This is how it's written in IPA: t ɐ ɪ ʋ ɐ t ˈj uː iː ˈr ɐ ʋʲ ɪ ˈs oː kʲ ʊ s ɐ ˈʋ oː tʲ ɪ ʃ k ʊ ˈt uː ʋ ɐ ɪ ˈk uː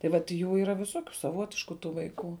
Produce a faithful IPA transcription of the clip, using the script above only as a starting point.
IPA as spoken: t ɐ ɪ ʋ ɐ t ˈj uː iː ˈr ɐ ʋʲ ɪ ˈs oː kʲ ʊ s ɐ ˈʋ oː tʲ ɪ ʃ k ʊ ˈt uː ʋ ɐ ɪ ˈk uː